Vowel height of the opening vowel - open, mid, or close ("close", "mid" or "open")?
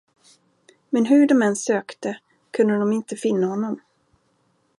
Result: mid